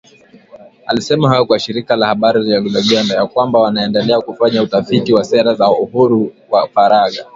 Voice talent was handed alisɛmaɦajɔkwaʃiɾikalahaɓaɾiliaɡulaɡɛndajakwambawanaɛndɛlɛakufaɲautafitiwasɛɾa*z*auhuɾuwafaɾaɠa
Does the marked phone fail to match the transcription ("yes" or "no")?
no